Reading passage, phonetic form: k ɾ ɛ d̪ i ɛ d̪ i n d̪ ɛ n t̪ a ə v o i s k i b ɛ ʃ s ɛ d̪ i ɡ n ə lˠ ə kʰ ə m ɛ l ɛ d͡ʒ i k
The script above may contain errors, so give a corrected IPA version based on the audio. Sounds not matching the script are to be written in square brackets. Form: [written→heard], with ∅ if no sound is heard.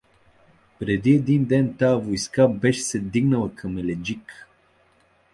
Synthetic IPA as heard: [k→p] ɾ ɛ d̪ i ɛ d̪ i n d̪ ɛ n t̪ a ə v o [i→j] s k [i→a] b ɛ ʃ s ɛ d̪ i ɡ n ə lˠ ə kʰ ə m ɛ l ɛ d͡ʒ i k